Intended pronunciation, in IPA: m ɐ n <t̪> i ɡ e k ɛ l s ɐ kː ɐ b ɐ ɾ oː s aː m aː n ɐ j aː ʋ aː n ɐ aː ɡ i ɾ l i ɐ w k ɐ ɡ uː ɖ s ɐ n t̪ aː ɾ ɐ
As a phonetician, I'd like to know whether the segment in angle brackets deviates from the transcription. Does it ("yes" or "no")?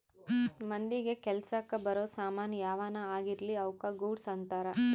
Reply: yes